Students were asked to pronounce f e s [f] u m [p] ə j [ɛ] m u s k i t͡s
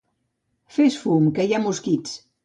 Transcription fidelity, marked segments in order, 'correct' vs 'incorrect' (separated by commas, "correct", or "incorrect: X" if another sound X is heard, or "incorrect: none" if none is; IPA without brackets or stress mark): correct, incorrect: k, incorrect: a